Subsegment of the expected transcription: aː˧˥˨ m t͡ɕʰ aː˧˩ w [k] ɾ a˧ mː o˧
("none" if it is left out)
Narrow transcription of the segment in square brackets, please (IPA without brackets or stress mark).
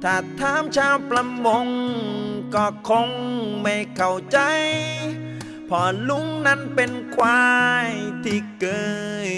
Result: p